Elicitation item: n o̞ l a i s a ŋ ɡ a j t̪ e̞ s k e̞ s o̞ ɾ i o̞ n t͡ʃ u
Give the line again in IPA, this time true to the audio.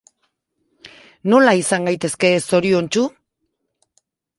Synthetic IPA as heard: n o̞ l a i s a ŋ ɡ a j t̪ e̞ s k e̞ s o̞ ɾ i o̞ n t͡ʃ u